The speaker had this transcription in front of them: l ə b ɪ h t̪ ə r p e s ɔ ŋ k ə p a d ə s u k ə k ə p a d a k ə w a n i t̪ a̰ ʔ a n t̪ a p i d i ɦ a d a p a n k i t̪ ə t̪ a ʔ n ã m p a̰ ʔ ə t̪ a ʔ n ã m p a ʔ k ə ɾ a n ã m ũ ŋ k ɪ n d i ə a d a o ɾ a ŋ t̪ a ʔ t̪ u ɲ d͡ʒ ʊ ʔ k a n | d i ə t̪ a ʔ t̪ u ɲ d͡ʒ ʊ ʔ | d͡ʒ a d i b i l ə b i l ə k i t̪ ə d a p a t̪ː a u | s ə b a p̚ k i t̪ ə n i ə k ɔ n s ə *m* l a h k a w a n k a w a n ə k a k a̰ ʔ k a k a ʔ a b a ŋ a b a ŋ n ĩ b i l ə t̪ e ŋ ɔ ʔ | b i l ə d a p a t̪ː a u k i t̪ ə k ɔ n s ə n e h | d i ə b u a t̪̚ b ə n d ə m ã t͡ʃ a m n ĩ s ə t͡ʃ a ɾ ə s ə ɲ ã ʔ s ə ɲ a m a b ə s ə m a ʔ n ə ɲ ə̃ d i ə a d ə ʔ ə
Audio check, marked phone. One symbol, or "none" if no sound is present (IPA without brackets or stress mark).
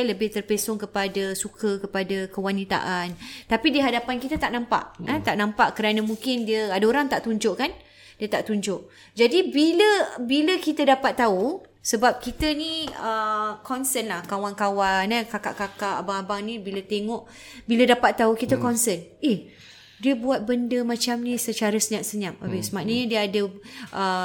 n